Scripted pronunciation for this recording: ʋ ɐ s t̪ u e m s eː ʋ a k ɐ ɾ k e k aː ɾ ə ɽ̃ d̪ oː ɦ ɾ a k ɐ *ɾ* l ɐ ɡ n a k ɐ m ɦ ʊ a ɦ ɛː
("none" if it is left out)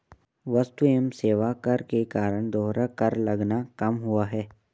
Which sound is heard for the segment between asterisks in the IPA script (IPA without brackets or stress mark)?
ɾ